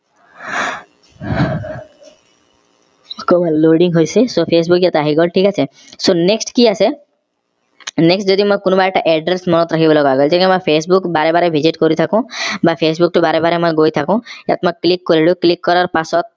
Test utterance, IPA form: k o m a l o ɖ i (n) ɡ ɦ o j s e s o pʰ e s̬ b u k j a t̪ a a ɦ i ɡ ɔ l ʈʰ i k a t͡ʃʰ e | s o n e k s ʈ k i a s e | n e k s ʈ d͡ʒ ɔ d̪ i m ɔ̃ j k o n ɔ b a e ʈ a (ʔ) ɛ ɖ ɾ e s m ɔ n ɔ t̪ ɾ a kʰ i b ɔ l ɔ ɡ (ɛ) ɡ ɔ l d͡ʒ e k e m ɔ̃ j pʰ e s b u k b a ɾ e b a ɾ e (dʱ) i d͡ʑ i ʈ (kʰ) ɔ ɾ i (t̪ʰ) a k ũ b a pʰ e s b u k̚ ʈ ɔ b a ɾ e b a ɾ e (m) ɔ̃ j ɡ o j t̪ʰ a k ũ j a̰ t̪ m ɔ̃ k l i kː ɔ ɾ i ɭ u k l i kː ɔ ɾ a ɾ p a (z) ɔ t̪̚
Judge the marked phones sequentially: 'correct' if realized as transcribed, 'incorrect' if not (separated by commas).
incorrect, correct, incorrect, incorrect, incorrect, correct, correct, incorrect